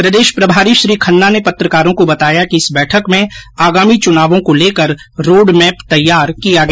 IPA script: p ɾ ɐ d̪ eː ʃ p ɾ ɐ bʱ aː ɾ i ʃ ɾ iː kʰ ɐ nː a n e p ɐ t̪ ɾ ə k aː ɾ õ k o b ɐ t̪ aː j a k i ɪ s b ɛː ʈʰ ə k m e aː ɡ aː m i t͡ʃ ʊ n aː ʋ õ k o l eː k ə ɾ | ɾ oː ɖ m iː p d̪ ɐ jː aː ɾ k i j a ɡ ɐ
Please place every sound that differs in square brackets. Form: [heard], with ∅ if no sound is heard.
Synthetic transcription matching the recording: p ɾ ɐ d̪ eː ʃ p ɾ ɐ bʱ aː ɾ i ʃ ɾ iː kʰ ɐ nː a n e p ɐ t̪ ɾ ə k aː ɾ õ k o b ɐ t̪ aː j a k i ɪ s b ɛː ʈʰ ə k m [ẽ] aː ɡ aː m i t͡ʃ ʊ n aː ʋ õ k o l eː k ə ɾ | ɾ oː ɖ m [ɛː] p [t̪] ɐ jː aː ɾ k i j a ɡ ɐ